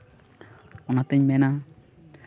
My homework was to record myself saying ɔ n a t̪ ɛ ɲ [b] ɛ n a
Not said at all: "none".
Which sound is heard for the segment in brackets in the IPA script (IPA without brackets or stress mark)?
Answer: m